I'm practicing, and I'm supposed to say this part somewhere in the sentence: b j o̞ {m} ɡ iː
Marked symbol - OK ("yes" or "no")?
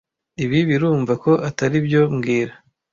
yes